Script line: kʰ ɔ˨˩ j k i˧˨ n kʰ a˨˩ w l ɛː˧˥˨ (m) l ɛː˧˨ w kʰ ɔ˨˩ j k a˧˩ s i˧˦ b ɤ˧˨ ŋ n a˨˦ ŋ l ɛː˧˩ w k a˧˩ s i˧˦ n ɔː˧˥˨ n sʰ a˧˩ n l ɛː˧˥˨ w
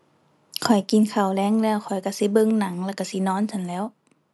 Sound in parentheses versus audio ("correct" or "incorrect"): incorrect